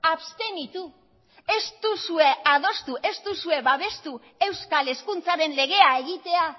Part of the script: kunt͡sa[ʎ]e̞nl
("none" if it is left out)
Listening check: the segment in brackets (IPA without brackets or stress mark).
ɾ